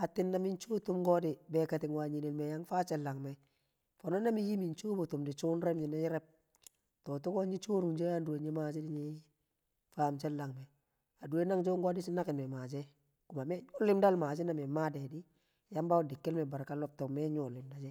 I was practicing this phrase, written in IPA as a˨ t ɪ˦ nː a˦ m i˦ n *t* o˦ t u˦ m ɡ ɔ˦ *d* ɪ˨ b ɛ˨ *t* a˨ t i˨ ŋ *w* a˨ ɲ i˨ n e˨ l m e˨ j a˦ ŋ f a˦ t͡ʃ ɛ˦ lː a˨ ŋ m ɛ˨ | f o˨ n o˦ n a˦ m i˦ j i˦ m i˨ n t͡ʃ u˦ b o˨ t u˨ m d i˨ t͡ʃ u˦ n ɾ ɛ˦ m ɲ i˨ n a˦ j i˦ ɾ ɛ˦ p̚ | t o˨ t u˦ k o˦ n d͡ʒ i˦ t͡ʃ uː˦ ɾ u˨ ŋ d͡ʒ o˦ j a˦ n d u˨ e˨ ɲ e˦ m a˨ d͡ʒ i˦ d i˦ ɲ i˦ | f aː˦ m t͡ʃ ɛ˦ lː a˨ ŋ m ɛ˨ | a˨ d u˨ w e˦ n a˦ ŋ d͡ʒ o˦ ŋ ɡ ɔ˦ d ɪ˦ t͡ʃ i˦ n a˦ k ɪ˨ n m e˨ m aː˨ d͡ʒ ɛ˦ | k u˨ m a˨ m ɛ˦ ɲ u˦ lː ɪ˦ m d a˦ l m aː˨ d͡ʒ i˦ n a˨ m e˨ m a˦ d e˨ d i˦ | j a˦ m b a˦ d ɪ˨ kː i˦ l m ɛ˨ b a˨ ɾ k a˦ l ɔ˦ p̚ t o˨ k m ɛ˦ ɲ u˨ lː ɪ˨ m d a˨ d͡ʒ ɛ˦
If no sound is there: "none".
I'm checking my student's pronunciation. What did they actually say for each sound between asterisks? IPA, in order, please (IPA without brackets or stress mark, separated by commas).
t͡ʃ, d, k, w